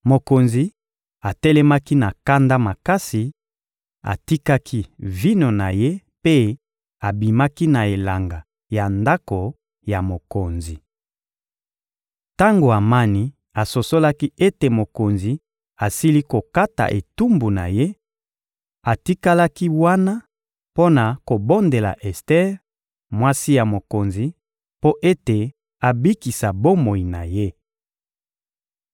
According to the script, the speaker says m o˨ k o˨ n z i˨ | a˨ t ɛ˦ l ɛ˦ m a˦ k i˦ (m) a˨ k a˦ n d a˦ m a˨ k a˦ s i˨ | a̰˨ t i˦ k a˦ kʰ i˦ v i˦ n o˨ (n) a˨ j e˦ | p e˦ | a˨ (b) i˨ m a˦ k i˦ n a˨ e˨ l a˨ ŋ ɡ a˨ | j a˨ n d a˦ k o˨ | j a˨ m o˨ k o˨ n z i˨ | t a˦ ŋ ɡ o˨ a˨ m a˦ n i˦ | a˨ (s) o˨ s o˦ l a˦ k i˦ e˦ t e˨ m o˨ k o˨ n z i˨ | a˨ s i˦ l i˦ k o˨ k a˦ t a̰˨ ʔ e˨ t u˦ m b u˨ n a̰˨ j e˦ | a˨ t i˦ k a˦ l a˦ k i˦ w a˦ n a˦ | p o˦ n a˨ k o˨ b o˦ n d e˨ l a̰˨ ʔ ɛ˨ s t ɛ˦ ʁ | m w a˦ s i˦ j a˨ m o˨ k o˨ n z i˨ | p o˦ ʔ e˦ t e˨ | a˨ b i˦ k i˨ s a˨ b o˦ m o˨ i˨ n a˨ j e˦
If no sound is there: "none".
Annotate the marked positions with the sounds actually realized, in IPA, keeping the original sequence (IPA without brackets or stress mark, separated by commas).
n, n, b, s